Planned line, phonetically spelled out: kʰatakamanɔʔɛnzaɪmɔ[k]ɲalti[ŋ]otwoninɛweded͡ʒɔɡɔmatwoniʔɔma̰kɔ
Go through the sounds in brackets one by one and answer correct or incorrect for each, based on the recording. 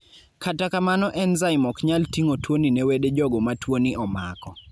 correct, correct

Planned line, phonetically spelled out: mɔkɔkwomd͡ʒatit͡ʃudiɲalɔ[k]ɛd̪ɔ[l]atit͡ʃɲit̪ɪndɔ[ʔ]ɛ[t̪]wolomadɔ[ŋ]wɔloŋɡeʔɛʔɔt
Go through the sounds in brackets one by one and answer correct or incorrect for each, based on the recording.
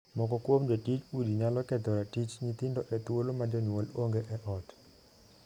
correct, incorrect: ɾ, correct, correct, incorrect: ɲ

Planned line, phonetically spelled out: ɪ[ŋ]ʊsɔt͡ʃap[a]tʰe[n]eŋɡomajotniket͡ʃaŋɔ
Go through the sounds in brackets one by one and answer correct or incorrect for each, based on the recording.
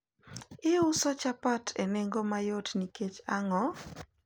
incorrect: none, correct, correct

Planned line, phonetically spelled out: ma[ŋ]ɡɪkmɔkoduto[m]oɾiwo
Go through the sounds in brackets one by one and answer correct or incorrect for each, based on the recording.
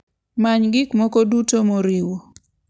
incorrect: ɲ, correct

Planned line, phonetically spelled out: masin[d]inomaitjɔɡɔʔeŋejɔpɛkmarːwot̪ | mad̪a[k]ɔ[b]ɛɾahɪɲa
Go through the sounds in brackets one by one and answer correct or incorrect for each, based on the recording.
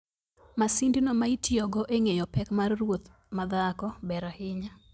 correct, correct, correct

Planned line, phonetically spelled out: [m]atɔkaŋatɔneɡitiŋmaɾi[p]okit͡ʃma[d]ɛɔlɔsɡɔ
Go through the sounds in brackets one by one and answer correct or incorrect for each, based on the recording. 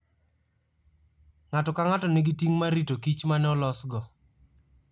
incorrect: ŋ, incorrect: t, incorrect: n

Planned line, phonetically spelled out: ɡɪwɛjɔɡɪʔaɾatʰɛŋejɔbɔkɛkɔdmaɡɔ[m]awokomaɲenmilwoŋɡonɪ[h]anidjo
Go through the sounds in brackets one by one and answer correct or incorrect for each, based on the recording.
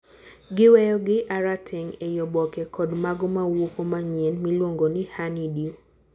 correct, correct

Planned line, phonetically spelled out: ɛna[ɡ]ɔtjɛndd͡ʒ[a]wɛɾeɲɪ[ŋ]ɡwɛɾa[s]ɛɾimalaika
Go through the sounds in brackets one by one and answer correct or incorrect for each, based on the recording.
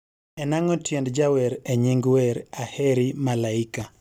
incorrect: ŋ, correct, correct, incorrect: h

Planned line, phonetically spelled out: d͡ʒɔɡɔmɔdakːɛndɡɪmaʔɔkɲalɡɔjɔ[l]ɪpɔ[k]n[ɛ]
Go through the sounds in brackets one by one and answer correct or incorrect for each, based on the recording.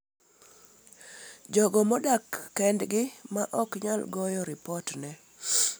incorrect: ɾ, incorrect: t, correct

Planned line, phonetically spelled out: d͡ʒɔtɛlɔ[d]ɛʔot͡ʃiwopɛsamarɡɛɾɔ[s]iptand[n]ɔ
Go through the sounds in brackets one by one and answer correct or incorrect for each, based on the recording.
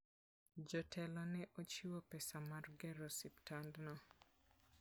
incorrect: n, correct, correct

